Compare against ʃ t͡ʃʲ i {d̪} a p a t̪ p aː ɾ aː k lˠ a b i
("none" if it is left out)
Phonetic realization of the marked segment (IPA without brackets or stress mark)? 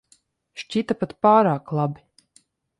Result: t̪